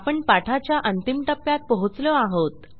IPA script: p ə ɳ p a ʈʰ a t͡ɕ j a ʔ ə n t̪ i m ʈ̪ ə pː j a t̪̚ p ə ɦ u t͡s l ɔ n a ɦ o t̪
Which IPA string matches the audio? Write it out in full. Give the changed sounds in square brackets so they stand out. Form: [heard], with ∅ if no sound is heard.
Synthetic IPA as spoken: p ə ɳ p a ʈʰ a t͡ɕ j a ʔ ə n t̪ i m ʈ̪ ə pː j a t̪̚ p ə ɦ u t͡s l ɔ [∅] a ɦ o t̪